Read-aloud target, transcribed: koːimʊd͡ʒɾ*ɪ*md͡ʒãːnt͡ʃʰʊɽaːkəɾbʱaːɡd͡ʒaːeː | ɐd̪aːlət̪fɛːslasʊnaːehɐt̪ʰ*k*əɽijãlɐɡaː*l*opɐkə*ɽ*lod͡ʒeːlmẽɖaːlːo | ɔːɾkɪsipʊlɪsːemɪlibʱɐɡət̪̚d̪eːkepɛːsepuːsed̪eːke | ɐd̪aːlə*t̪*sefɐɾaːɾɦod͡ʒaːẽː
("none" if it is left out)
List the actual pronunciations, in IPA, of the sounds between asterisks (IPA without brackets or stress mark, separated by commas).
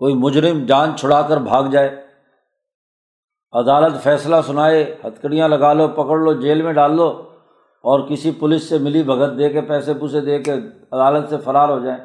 ɪ, k, l, ɽ, t̪